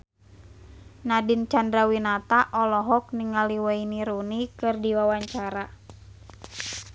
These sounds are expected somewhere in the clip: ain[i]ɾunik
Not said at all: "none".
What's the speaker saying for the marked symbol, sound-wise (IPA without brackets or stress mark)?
i